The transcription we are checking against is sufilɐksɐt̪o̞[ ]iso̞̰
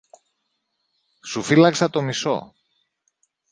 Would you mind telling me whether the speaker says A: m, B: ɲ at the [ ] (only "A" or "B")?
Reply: A